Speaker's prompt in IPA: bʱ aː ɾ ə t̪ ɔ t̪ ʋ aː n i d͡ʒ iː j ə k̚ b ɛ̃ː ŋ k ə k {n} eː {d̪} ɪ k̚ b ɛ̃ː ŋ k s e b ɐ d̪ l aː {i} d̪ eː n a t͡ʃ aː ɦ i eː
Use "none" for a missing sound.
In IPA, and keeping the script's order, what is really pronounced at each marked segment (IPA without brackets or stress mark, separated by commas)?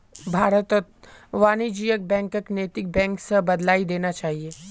n, t̪, i